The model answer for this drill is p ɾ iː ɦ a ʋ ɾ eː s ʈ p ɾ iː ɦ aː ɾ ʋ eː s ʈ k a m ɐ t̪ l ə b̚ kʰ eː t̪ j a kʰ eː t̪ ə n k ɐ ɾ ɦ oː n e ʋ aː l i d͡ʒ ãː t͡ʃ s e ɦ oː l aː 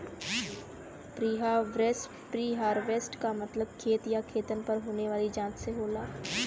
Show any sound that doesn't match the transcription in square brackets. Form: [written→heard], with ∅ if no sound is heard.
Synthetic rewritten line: p ɾ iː ɦ a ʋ ɾ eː s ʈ p ɾ iː ɦ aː ɾ ʋ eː s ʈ k a m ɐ t̪ l ə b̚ kʰ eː t̪ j a kʰ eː t̪ ə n [k→p] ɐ ɾ ɦ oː n e ʋ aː l i d͡ʒ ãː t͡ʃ s e ɦ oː l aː

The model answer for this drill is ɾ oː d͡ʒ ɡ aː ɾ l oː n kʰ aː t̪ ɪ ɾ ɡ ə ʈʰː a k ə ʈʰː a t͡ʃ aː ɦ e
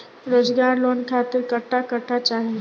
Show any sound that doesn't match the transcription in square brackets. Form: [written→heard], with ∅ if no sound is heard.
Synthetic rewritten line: ɾ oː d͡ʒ ɡ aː ɾ l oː n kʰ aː t̪ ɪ ɾ [ɡ→k] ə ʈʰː a k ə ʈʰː a t͡ʃ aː ɦ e

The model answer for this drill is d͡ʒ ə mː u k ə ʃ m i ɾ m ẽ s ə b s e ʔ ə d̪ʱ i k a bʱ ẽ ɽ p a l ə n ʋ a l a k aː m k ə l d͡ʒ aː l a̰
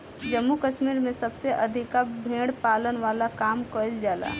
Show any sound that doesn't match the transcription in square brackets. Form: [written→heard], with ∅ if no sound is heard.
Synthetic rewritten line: d͡ʒ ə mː u k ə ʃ m i ɾ m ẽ s ə b s e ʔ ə d̪ʱ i k a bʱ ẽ ɽ p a l ə n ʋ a l a k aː m k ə l d͡ʒ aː l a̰

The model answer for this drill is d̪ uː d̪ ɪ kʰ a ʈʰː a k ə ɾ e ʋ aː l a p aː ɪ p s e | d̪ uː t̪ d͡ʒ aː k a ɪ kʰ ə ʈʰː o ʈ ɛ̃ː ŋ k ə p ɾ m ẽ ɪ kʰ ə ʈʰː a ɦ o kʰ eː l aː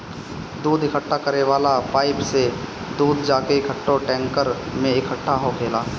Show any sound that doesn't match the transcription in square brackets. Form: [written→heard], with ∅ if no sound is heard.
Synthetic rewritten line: d̪ uː d̪ ɪ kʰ [a→ə] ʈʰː a k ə ɾ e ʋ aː l a p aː ɪ p s e | d̪ uː [t̪→d̪] d͡ʒ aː k [a→e] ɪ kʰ ə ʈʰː o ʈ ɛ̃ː ŋ k ə [p→∅] ɾ m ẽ ɪ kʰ ə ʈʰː a ɦ o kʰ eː l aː

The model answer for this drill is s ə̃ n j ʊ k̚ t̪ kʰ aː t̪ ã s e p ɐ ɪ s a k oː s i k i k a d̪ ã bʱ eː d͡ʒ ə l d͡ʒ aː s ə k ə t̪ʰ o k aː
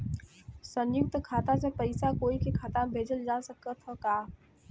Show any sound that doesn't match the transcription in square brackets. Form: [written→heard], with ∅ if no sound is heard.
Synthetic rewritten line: s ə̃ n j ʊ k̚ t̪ kʰ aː t̪ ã s e p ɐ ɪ s a k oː [s→∅] i k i [k→kʰ] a [d̪→t̪] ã bʱ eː d͡ʒ ə l d͡ʒ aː s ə k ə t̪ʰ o k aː

